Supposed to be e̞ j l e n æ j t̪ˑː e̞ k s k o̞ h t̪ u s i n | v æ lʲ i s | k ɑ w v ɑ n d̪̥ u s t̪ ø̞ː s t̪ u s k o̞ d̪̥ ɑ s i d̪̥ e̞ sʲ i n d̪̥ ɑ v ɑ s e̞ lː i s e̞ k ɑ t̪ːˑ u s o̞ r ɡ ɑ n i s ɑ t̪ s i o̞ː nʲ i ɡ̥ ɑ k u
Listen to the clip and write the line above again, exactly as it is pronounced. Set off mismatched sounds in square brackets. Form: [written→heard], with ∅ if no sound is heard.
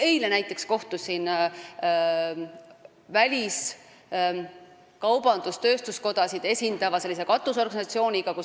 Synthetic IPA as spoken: e̞ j l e n æ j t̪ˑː e̞ k s k o̞ h t̪ u s i n | v æ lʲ i s | k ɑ w [v→b] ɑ n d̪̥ u s t̪ ø̞ː s t̪ u s k o̞ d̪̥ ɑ s i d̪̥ e̞ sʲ i n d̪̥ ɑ v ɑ s e̞ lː i s e̞ k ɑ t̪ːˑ u s o̞ r ɡ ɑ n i s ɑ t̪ s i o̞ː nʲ i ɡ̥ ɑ k u